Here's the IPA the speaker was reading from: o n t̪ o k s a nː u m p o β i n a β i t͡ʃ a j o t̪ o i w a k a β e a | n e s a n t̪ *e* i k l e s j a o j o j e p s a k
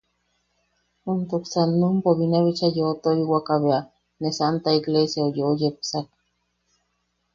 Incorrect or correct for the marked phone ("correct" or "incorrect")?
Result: incorrect